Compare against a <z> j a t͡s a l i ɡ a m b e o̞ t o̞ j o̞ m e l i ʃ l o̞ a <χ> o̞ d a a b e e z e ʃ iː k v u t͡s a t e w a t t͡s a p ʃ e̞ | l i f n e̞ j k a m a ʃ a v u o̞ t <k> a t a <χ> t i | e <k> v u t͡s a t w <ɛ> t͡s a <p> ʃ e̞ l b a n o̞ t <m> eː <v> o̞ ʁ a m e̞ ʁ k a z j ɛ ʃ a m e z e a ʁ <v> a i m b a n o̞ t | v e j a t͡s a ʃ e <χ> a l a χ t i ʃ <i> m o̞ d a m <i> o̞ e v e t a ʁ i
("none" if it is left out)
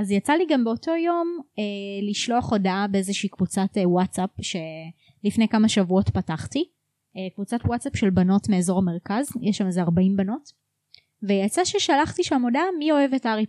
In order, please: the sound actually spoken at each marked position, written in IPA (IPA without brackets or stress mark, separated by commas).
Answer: z, χ, p, χ, k, a, p, m, z, b, ʃ, a, i